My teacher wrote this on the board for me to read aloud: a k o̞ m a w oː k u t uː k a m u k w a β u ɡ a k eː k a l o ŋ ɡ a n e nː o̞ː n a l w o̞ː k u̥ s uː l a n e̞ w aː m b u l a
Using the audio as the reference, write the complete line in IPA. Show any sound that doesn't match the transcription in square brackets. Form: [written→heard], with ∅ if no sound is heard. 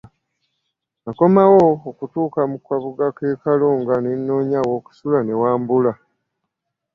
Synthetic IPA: a k o̞ m a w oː k u t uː k a m u k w a β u ɡ a k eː k a l o ŋ ɡ a n e nː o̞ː [n→ɲ] a [l→∅] w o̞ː k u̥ s [uː→u] l a n e̞ w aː m b u l a